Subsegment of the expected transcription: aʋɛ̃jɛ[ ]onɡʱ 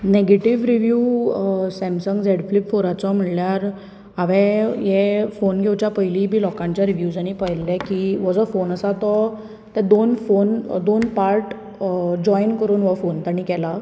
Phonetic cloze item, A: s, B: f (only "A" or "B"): B